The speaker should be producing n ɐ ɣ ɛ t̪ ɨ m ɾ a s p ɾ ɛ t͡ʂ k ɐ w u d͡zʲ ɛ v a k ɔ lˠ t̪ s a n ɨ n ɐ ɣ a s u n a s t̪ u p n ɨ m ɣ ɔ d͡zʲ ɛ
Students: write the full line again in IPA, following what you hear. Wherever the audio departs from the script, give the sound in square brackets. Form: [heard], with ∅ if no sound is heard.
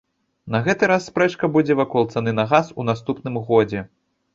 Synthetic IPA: n ɐ ɣ ɛ t̪ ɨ [∅] ɾ a [sː] p ɾ ɛ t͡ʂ k ɐ [b] u d͡zʲ ɛ v a k ɔ lˠ t̪ s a n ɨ n ɐ ɣ a s u n a s t̪ u p n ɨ m ɣ ɔ d͡zʲ ɛ